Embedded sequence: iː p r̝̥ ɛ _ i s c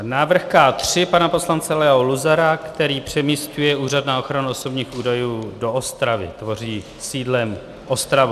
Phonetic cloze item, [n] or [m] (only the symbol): m